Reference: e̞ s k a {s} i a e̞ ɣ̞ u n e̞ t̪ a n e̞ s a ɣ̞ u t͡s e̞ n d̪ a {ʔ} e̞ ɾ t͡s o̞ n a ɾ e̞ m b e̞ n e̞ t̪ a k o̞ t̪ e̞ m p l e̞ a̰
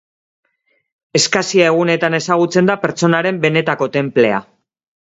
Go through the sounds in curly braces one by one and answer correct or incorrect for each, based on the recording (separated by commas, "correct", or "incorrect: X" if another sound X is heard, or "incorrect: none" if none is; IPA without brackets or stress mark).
correct, incorrect: p